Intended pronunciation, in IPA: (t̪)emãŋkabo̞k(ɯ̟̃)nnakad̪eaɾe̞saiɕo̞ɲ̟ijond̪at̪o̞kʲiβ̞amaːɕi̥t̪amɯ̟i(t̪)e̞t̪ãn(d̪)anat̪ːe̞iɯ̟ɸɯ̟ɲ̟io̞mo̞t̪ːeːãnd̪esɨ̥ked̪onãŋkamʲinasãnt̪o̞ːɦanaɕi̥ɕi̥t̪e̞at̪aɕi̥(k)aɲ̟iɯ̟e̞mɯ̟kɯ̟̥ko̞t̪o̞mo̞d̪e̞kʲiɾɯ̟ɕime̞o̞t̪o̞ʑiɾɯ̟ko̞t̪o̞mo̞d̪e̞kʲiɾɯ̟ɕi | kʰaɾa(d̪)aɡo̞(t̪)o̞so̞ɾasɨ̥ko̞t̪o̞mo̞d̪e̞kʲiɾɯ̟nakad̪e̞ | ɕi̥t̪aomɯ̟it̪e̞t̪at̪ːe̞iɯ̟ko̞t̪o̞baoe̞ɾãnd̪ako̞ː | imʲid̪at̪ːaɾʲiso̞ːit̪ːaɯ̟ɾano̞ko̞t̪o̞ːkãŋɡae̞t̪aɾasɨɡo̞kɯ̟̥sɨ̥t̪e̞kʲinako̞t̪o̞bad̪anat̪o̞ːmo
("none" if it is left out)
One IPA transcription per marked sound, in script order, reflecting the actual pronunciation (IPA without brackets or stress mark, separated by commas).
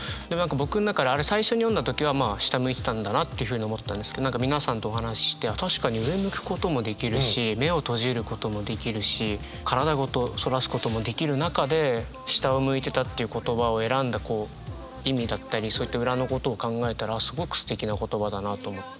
d̪, ɯ̟, t̪, d̪, k, d̪, t̪